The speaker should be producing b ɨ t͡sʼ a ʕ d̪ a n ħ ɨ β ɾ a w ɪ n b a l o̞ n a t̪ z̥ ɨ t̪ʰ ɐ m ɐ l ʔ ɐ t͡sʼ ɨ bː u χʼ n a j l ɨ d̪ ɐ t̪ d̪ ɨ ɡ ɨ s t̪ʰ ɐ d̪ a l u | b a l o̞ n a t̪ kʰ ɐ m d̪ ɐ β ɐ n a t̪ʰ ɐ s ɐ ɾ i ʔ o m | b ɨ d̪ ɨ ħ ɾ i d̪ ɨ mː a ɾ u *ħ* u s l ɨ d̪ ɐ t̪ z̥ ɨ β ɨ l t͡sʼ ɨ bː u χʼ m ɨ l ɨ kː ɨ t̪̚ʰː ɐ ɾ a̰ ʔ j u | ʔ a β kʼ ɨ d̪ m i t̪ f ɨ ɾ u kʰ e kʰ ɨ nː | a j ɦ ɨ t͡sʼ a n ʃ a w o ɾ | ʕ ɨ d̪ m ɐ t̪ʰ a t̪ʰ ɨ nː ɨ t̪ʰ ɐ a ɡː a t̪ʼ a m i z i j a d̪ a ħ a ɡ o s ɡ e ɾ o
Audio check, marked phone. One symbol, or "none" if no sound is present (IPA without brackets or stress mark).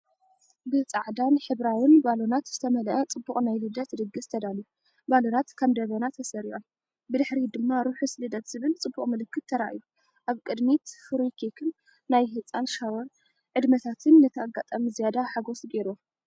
ħ